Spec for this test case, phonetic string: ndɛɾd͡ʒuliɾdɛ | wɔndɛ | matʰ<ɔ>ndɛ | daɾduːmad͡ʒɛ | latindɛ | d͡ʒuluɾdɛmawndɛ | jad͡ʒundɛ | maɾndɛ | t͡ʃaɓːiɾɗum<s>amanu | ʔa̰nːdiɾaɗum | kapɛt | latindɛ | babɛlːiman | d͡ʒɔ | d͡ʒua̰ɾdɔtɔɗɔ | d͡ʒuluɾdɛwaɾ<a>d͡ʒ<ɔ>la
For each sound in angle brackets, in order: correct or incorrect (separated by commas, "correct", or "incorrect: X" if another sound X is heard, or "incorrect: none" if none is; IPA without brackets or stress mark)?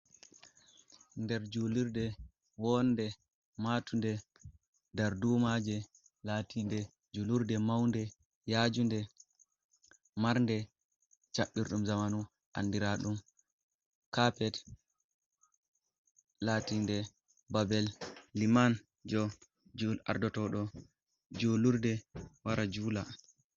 incorrect: u, incorrect: z, correct, incorrect: u